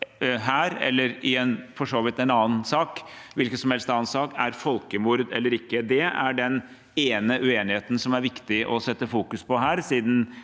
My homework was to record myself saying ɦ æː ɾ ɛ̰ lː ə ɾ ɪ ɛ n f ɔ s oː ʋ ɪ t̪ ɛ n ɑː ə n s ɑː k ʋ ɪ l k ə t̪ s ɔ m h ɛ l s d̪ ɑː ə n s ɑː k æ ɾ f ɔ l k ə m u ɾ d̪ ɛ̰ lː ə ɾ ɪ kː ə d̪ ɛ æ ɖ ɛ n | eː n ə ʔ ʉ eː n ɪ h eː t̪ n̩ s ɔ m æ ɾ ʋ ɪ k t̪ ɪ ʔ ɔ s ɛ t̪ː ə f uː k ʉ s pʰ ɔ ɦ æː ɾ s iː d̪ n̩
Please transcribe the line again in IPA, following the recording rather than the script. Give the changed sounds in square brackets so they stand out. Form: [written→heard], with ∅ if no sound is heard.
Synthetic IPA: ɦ æː ɾ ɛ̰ lː ə ɾ ɪ ɛ n f ɔ [s→ʂ] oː ʋ ɪ t̪ ɛ n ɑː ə n s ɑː k ʋ ɪ l k ə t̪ s ɔ m h ɛ l s [d̪→t̪] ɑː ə n s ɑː k æ ɾ f ɔ l k ə m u ɾ d̪ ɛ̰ lː ə ɾ ɪ kː ə d̪ ɛ æ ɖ ɛ n | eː n ə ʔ ʉ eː n ɪ h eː t̪ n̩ s ɔ m æ ɾ ʋ ɪ k t̪ ɪ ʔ ɔ s ɛ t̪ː ə f uː k ʉ s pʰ ɔ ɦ æː ɾ s iː d̪ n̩